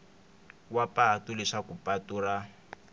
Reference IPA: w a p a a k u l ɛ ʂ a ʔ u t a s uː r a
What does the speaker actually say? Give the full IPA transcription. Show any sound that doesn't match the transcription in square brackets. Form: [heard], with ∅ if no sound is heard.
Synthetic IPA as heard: w a p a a [t] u l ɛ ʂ a [k] u [p] a [t] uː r a